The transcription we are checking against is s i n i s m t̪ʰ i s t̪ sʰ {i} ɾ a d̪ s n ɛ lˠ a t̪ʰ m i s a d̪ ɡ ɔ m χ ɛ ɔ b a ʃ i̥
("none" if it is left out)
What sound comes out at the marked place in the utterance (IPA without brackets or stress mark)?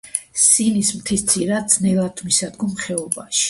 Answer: i